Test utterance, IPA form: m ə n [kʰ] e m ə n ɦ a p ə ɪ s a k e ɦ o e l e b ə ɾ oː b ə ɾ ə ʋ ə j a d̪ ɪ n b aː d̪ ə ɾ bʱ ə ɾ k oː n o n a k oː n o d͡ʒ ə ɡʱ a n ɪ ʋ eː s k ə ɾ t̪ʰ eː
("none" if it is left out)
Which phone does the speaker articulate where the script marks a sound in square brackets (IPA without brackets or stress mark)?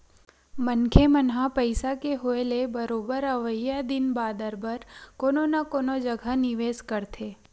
kʰ